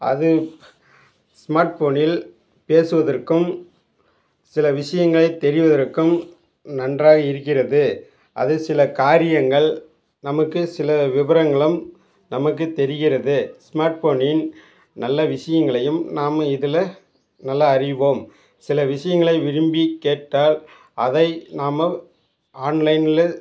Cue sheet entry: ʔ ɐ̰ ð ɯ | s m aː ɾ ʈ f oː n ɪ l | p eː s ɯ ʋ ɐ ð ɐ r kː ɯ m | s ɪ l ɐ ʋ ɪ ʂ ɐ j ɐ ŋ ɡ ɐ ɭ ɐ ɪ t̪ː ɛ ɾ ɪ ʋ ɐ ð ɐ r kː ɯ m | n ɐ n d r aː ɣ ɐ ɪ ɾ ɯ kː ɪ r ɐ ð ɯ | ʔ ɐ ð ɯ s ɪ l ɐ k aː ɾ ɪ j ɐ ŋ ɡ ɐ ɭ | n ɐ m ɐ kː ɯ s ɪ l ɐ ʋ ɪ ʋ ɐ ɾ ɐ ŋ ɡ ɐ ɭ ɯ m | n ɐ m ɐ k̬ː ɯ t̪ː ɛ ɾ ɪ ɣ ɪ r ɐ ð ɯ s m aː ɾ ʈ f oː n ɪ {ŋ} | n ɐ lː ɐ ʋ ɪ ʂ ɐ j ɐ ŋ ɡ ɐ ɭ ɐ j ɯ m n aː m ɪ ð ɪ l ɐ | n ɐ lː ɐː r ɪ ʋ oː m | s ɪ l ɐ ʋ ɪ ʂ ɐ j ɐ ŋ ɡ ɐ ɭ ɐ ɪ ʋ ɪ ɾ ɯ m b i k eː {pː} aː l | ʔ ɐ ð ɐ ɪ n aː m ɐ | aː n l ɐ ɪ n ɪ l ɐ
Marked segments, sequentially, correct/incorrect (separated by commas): incorrect, incorrect